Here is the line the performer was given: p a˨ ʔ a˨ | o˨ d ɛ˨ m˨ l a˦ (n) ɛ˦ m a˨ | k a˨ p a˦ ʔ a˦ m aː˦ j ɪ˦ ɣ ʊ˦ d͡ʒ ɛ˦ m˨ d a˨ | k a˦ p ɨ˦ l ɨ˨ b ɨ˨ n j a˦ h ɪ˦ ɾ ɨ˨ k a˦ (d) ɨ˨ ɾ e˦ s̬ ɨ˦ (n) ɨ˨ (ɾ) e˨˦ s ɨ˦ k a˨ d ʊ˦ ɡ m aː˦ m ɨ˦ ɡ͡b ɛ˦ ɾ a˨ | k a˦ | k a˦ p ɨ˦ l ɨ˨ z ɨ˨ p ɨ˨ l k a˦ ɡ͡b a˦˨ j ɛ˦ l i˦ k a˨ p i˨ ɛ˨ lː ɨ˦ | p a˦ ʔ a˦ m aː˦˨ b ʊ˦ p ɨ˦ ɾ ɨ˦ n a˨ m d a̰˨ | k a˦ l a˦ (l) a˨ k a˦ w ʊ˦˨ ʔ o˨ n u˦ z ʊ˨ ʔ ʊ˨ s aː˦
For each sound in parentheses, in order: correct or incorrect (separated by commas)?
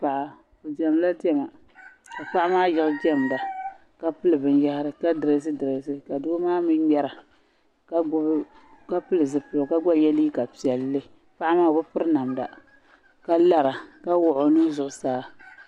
incorrect, correct, incorrect, correct, incorrect